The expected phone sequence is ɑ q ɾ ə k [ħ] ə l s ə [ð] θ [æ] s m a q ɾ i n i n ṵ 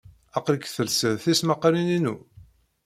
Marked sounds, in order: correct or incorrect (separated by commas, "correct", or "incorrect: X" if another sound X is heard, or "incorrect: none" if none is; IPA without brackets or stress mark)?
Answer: incorrect: θ, correct, incorrect: i